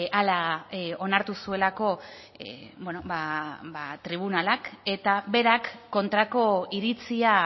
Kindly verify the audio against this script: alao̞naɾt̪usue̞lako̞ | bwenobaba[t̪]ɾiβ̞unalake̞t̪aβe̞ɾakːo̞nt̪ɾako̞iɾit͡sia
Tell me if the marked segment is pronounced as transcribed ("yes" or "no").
yes